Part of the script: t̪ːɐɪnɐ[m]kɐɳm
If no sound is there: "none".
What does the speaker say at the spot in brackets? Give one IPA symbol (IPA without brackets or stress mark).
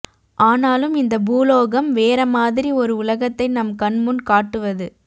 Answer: m